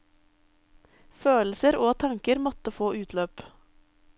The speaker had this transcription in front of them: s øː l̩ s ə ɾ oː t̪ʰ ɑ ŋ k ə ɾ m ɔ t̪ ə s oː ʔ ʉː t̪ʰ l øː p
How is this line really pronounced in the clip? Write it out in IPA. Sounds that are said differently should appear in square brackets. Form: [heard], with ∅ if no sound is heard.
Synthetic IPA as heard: [f] øː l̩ s ə ɾ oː t̪ʰ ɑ ŋ k ə ɾ m ɔ t̪ ə [f] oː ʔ ʉː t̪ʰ l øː p

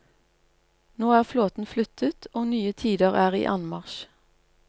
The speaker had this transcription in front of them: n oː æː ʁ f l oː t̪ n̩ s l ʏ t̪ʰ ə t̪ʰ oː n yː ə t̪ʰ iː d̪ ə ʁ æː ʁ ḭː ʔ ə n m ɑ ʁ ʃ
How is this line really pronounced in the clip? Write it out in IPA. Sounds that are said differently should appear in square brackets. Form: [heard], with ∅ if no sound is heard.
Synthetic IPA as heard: n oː æː ʁ f l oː t̪ n̩ [f] l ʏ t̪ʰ ə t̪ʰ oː n yː ə t̪ʰ iː d̪ ə ʁ æː ʁ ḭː ʔ [ɑ] n m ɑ ʁ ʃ

